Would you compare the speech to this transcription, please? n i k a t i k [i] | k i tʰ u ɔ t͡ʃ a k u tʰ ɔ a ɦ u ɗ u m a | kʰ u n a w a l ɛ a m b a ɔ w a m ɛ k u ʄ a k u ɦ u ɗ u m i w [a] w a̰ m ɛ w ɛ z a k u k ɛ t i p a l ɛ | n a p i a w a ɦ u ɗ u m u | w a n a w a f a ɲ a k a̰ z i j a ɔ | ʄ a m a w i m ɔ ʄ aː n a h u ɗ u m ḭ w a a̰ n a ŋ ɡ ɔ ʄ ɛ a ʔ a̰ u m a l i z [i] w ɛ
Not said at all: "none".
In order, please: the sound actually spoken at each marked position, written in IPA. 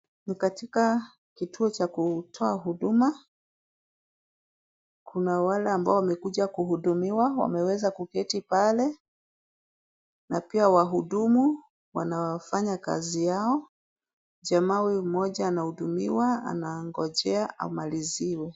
a, a, i

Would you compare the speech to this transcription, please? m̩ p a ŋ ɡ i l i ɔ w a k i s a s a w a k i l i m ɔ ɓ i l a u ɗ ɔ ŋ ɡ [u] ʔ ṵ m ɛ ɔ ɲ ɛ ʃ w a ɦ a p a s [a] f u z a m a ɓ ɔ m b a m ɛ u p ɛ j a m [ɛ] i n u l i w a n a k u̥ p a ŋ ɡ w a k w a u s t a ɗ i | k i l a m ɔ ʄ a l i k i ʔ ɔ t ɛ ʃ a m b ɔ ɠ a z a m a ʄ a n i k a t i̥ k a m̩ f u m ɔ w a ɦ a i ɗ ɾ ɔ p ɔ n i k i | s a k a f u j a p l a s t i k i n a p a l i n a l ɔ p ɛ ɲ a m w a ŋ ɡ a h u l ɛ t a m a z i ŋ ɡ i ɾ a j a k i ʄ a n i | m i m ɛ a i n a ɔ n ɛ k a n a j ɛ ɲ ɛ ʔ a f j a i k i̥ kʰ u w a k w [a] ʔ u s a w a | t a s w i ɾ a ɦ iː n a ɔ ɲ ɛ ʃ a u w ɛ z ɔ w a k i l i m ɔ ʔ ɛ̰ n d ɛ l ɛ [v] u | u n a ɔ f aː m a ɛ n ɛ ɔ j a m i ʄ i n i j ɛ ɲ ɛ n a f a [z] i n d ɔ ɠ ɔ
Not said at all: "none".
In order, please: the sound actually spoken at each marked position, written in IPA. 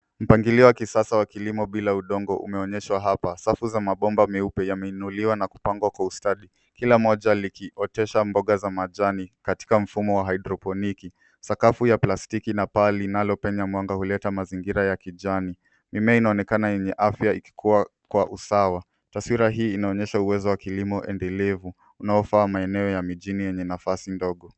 ɔ, a, ɛ, a, v, s

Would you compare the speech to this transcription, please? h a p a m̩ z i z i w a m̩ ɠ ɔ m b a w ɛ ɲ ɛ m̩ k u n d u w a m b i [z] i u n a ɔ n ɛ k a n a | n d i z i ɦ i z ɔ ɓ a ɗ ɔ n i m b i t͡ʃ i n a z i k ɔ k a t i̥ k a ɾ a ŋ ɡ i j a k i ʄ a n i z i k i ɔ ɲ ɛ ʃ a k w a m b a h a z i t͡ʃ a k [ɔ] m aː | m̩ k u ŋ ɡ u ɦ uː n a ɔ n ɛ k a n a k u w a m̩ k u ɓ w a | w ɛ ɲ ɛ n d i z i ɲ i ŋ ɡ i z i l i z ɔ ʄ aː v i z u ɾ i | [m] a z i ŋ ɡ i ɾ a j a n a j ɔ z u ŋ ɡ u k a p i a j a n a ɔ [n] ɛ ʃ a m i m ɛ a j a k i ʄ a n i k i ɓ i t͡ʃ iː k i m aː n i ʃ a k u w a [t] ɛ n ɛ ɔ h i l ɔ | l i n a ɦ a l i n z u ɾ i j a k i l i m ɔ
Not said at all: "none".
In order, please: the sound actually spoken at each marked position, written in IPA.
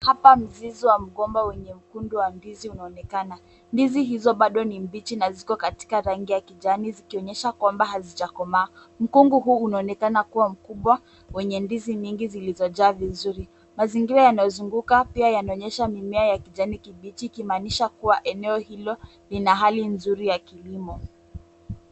z, ɔ, m, ɲ, ʔ

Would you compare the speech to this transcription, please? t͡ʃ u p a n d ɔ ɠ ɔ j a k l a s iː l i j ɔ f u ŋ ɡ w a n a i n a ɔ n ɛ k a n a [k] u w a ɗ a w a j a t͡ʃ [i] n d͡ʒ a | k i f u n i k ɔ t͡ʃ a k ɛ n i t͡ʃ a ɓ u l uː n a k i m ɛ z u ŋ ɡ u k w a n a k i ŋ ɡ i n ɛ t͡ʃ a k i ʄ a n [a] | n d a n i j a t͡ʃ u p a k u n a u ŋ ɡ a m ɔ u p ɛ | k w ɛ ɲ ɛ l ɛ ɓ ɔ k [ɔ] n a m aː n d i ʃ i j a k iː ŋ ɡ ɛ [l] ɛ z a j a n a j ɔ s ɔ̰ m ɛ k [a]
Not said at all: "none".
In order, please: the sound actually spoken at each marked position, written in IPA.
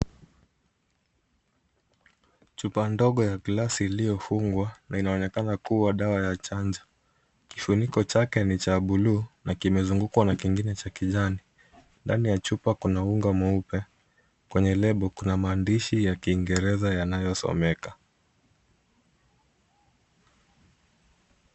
k, a, i, u, ɾ, a

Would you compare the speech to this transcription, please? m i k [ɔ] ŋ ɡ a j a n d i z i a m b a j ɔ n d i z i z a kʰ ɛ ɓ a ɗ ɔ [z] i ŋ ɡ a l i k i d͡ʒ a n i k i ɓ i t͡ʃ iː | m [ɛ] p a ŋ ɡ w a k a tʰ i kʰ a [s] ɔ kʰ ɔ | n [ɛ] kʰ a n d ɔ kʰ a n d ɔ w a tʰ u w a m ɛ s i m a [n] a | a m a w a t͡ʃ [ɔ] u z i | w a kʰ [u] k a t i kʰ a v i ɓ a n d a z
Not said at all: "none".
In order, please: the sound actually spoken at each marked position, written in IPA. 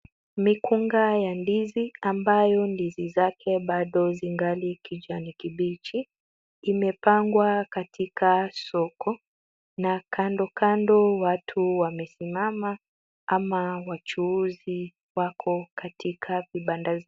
u, z, ɛ, s, a, m, u, ɔ

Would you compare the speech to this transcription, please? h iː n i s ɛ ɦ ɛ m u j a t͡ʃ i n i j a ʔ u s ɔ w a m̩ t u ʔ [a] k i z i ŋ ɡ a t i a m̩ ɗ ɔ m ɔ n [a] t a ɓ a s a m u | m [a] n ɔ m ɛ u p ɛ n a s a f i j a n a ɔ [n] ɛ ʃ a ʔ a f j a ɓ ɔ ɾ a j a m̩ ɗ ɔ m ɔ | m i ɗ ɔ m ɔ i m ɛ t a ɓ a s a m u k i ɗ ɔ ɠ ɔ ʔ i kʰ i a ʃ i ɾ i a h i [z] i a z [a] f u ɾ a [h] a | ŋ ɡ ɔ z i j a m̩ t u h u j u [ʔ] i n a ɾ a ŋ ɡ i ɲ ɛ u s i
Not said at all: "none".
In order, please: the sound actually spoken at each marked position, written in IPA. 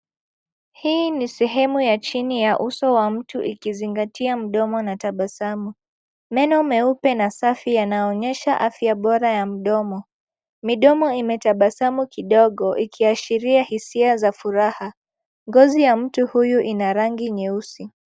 i, a, ɛ, ɲ, s, a, h, ʔ

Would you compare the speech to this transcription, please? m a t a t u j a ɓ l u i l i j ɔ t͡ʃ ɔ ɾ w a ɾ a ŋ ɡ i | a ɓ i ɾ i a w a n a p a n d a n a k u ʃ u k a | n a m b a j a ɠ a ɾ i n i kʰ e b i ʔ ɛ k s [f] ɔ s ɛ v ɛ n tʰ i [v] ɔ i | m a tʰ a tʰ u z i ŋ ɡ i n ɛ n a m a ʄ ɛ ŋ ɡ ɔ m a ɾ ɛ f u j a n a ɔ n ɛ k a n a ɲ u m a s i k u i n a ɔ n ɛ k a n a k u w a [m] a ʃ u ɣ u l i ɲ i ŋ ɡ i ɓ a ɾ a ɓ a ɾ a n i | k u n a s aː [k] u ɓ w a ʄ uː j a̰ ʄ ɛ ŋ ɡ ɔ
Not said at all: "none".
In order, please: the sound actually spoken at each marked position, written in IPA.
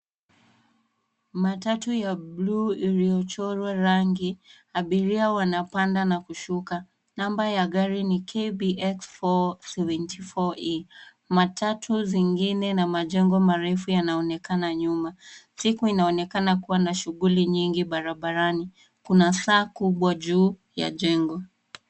f, f, n, k

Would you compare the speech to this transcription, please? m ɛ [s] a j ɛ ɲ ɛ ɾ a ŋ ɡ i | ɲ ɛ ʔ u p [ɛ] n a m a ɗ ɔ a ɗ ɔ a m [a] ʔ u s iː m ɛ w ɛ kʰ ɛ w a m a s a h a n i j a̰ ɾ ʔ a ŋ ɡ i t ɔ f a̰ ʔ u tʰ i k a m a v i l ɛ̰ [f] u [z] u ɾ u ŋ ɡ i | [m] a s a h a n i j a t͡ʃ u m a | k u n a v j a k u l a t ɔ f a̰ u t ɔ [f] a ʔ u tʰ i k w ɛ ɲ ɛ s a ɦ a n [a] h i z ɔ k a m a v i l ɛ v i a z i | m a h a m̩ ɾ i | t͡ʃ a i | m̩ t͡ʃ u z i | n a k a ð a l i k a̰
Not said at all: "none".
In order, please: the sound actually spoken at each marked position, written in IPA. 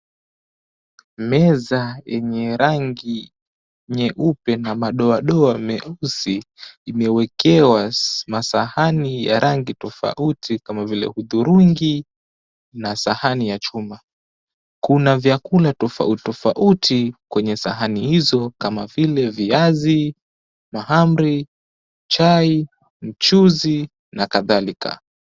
z, ɛ, ɛ, h, ð, n, f, i

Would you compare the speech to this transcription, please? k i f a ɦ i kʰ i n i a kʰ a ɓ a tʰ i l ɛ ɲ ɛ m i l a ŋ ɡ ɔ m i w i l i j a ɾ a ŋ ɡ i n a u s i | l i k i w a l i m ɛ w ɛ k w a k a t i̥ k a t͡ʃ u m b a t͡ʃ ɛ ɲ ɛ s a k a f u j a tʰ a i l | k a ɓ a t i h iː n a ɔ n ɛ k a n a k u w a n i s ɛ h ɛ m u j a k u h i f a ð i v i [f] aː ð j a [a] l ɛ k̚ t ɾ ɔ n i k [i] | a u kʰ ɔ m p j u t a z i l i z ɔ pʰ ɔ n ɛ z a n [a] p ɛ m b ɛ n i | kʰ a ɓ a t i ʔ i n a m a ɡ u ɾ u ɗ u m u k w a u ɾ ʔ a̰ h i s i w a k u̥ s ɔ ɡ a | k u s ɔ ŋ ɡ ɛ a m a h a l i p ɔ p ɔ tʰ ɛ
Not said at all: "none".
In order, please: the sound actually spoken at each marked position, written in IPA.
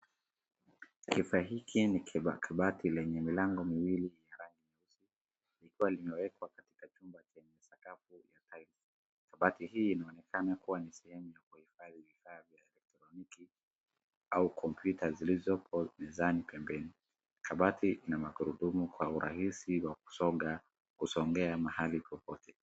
f, ɛ, i, i

